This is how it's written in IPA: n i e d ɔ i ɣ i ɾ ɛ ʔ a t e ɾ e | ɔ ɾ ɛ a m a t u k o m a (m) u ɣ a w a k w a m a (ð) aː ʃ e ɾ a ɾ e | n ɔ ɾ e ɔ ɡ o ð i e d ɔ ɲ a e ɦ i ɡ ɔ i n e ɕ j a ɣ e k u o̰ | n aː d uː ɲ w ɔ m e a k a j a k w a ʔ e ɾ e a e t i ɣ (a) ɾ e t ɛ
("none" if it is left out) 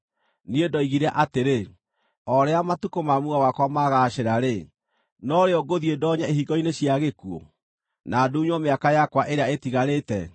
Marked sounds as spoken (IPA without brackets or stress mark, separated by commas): m, ɣ, a